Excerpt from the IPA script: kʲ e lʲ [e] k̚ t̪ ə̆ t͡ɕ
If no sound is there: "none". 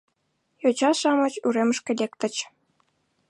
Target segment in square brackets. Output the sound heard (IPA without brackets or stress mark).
e